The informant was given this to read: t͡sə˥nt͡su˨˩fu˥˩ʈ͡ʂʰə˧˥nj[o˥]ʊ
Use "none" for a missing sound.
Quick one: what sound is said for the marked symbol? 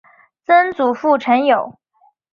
o˨˩˦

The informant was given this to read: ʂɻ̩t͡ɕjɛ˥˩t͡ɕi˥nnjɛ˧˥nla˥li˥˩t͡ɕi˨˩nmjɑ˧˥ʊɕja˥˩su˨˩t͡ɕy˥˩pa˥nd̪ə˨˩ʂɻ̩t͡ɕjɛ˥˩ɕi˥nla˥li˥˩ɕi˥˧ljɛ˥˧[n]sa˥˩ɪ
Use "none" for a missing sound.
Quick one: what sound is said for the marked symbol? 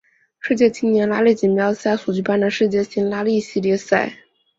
none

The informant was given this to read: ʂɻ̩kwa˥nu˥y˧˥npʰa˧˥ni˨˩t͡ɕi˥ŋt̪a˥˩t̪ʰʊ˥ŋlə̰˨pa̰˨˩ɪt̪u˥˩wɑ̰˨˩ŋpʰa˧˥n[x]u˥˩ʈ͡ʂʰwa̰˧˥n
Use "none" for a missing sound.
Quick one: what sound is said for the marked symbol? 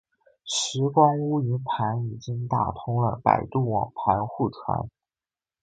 x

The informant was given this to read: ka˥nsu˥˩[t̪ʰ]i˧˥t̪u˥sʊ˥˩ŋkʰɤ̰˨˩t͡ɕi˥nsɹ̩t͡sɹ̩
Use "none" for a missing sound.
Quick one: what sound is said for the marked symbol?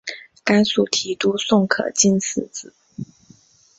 t̪ʰ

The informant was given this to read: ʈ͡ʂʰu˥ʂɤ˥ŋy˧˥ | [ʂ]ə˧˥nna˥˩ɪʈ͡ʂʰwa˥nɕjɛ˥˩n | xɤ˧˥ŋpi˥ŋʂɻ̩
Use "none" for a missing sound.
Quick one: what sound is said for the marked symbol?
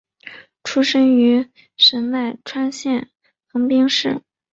ʂ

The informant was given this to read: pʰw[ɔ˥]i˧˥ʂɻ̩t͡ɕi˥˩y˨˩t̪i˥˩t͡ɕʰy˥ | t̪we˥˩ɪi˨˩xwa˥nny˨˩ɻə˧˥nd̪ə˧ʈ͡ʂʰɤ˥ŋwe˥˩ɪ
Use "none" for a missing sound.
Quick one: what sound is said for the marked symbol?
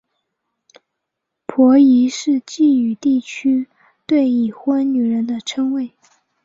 ɔ˧˥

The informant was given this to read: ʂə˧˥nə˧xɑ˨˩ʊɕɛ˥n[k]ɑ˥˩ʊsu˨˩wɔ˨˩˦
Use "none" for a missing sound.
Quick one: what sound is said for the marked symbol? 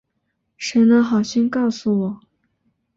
k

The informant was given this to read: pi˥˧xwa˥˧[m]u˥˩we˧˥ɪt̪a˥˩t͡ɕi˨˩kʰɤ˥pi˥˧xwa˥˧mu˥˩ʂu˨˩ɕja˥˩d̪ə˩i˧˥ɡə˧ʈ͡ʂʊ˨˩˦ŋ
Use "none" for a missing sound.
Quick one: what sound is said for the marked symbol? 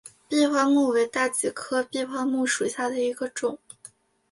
m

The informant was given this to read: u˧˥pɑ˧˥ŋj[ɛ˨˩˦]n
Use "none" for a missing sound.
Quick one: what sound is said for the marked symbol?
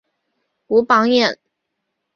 ɛ˥˩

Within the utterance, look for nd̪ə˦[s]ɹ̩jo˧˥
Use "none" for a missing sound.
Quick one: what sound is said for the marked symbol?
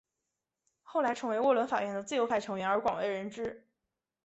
t͡s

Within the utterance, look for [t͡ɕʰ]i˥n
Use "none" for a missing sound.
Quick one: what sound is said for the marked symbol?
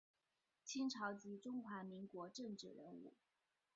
t͡ɕʰ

